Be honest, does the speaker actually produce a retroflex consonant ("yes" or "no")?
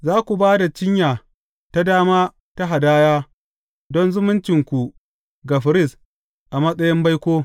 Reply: no